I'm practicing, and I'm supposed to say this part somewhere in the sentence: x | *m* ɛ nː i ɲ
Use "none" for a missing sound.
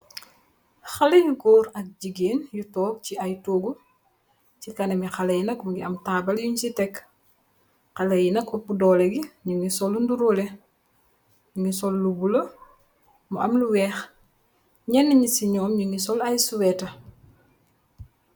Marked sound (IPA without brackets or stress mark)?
ɲ